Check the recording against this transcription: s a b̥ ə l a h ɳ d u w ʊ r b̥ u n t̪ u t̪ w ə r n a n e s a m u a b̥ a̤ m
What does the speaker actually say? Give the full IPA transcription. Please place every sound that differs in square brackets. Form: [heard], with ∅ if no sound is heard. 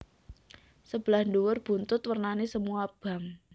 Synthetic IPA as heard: s [ə] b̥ ə l a h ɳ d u w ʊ r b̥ u n t̪ [ʊ] t̪ w ə r n a n e s [ə] m u a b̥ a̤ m